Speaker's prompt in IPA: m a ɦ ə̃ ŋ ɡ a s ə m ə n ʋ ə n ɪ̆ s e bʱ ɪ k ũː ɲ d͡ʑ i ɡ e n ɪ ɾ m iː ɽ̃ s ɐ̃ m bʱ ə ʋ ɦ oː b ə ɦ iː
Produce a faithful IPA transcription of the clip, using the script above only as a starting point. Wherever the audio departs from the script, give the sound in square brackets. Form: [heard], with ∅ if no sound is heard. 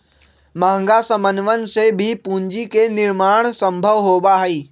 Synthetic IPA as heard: m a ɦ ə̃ ŋ ɡ a s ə m ə n ʋ ə n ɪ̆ s e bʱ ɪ [p] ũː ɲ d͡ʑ i [k] e n ɪ ɾ m [aː] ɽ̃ s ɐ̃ m bʱ ə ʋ ɦ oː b [a] ɦ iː